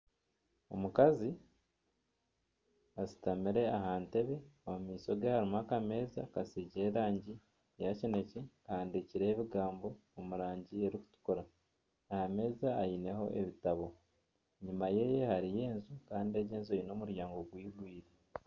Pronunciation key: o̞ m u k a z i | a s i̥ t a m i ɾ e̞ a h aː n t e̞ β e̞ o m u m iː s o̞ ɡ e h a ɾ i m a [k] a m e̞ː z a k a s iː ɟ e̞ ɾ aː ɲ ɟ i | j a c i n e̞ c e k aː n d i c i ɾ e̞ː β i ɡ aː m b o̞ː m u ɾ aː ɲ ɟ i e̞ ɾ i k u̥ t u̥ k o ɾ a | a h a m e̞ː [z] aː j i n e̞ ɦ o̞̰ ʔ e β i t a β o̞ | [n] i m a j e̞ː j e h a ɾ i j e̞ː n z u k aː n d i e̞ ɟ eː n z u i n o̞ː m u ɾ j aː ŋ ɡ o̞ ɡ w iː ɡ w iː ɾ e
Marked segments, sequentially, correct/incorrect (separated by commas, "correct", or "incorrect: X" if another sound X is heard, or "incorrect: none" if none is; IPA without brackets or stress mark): correct, correct, incorrect: ɲ